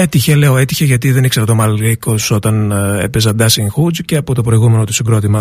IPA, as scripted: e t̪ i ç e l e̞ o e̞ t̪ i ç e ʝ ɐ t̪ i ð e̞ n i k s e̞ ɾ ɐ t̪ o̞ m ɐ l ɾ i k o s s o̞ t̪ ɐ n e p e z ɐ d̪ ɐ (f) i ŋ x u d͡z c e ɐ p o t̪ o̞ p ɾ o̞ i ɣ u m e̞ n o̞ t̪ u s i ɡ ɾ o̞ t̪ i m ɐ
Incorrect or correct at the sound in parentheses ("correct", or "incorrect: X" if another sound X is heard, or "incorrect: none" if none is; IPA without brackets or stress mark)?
incorrect: s